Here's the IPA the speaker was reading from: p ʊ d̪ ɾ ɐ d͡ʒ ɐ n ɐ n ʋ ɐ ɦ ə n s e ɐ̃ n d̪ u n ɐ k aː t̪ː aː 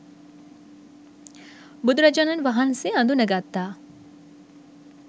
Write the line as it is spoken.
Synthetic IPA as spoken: b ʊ d̪ ɾ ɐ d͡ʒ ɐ n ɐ n ʋ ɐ ɦ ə n s e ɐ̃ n d̪ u n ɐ ɡ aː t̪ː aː